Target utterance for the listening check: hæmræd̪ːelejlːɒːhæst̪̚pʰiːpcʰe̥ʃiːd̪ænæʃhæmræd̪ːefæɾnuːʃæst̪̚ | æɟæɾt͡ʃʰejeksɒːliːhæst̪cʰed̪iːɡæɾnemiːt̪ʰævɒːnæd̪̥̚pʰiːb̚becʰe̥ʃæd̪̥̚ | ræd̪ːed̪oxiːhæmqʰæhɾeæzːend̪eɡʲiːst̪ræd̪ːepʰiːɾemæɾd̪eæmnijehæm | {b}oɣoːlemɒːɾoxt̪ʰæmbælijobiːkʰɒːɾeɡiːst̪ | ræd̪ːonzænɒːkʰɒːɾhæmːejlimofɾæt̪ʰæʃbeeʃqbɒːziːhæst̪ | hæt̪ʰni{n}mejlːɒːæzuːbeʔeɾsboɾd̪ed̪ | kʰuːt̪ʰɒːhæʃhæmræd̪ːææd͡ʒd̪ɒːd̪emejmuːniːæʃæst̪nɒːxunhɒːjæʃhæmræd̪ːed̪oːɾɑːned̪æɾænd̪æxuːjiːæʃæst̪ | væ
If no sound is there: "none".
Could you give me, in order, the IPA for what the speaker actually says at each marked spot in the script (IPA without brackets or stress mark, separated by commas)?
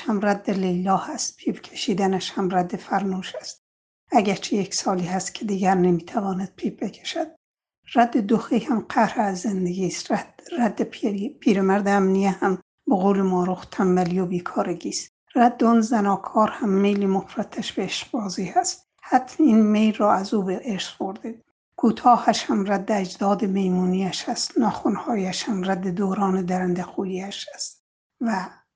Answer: b, n